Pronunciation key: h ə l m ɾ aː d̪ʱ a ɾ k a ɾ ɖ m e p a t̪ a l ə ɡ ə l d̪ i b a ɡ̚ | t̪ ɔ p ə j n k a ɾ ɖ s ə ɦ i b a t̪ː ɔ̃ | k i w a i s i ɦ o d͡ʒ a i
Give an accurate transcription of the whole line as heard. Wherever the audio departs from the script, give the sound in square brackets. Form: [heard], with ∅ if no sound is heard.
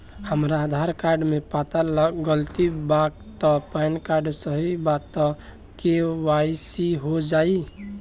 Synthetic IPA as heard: h ə [∅] m ɾ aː d̪ʱ a ɾ k a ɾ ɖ m e p a t̪ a l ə ɡ ə l [t̪] i b a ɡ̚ | t̪ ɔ p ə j n k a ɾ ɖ s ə ɦ i b a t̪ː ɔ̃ | k [e] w a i s i ɦ o d͡ʒ a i